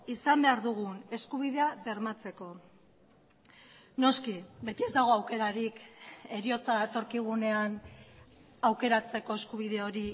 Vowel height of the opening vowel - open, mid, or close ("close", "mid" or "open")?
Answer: close